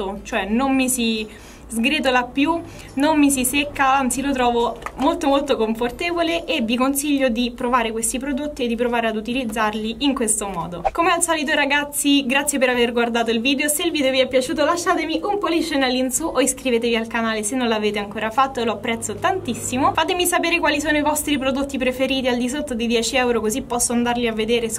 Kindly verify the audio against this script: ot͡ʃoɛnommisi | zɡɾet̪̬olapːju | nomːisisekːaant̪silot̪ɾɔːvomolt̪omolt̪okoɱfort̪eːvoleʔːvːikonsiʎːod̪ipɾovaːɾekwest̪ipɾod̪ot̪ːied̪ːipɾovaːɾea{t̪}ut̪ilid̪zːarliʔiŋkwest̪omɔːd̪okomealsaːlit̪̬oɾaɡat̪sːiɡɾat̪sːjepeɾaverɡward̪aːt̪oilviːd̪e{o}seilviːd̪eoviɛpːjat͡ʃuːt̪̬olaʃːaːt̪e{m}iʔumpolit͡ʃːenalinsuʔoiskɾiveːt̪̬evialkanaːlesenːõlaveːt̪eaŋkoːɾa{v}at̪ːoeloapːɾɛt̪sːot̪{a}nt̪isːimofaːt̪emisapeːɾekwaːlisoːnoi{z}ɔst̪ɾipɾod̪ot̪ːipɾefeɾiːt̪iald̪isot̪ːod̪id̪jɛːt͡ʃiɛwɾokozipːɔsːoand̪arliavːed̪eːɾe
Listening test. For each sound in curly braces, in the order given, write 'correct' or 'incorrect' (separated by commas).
incorrect, correct, correct, incorrect, correct, incorrect